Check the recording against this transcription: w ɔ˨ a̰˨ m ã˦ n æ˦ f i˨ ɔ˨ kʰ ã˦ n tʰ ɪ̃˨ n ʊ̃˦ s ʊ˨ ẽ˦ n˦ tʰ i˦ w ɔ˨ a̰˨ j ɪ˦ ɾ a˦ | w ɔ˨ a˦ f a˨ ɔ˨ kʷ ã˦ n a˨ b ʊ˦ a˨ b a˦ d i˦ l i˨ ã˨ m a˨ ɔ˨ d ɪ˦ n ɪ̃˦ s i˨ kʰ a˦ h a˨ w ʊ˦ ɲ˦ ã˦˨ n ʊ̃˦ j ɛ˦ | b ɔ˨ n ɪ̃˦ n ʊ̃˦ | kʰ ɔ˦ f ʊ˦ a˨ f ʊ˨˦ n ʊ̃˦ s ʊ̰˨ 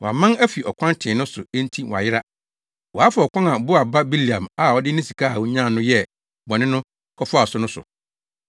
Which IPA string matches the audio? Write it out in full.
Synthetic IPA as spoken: w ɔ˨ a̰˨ m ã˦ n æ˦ f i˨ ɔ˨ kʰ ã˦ n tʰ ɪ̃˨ n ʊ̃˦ s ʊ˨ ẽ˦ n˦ tʰ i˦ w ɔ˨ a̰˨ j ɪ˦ ɾ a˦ | w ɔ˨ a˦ f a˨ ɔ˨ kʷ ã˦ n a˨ b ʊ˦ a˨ b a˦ b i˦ l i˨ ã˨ m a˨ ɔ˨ d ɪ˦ n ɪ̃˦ s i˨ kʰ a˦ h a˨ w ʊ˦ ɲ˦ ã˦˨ n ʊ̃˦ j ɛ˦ | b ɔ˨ n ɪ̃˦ n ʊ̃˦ | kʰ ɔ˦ f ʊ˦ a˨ s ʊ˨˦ n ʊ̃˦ s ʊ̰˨

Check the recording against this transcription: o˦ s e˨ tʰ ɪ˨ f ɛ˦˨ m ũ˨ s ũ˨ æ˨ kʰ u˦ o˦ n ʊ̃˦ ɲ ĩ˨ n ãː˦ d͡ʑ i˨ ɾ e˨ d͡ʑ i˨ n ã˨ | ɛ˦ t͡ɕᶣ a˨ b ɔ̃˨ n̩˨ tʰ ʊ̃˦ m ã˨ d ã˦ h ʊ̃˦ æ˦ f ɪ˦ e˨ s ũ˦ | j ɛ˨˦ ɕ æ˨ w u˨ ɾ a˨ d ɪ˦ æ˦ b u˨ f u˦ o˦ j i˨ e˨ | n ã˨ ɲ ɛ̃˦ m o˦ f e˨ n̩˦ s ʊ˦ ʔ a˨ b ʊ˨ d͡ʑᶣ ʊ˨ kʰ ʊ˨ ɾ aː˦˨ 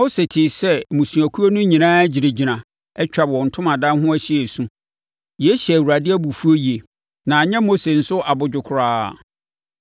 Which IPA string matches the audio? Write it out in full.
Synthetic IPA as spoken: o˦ s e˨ tʰ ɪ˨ s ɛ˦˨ m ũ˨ s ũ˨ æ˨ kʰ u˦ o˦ n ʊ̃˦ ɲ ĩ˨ n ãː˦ d͡ʑ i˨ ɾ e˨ d͡ʑ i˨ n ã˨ | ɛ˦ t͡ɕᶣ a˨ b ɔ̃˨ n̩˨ tʰ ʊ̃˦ m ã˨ d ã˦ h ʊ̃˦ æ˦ ɕ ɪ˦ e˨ s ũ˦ | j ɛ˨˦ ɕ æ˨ w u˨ ɾ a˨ d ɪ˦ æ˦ b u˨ f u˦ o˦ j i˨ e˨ | n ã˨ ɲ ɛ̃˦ m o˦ s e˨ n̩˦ s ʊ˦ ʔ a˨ b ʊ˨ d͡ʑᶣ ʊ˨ kʰ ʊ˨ ɾ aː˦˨

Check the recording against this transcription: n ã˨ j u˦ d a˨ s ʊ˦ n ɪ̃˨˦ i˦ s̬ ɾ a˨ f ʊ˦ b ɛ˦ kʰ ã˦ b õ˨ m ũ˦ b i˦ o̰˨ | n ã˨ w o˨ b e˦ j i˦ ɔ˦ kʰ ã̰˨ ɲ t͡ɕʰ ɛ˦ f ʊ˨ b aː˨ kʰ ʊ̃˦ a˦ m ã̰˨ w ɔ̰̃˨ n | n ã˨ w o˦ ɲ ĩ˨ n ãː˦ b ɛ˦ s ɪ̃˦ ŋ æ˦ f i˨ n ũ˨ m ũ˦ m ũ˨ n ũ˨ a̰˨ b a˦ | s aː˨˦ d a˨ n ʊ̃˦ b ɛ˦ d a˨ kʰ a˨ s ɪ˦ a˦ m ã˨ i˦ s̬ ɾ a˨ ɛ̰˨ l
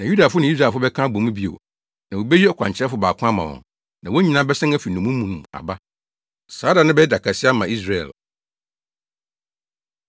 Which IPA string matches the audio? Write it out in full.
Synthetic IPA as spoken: n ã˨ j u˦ d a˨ f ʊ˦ n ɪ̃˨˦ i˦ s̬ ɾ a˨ f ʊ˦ b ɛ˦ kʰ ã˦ b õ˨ m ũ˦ b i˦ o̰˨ | n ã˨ w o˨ b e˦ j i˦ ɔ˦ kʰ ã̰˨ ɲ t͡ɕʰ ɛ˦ f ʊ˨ b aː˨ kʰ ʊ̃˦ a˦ m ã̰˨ w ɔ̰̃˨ n | n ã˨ w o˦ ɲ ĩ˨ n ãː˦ b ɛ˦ s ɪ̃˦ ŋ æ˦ f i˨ n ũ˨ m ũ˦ m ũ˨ n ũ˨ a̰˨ b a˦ | s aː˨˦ d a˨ n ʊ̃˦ b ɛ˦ d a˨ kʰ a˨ s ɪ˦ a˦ m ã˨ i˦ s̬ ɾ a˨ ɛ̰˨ l

